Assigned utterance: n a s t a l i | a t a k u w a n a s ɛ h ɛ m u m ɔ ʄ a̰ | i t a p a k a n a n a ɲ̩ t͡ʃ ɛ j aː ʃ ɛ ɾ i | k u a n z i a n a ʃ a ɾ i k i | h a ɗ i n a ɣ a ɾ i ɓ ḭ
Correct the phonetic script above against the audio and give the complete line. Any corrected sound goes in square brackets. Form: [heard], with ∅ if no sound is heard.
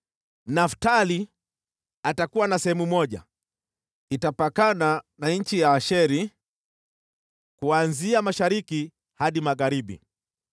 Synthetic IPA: n a [f] t a l i | a t a k u w a n a s ɛ h ɛ m u m ɔ ʄ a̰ | i t a p a k a n a n a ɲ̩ t͡ʃ [i] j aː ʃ ɛ ɾ i | k u a n z i a [m] a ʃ a ɾ i k i | h a ɗ i [m] a ɣ a ɾ i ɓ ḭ